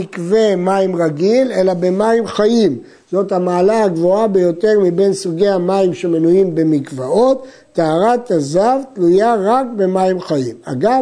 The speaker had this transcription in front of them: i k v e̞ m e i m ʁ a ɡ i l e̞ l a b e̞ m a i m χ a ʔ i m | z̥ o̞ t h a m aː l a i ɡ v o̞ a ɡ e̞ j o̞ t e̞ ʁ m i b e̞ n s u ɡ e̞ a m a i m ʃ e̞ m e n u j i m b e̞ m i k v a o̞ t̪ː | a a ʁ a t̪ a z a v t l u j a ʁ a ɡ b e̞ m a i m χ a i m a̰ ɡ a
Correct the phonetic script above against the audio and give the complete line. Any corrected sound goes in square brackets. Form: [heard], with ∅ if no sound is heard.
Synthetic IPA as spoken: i k v e̞ m [a] i m ʁ a ɡ i l e̞ l a b e̞ m a i m χ a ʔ i m | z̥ o̞ t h a m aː l a [a] ɡ v o̞ a [b] e̞ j o̞ t e̞ ʁ m i b e̞ n s u ɡ e̞ a m a i m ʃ e̞ m e n u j i m b e̞ m i k v a o̞ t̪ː | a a ʁ a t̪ a z a v t l u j a ʁ a [k] b e̞ m a i m χ a i m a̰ ɡ a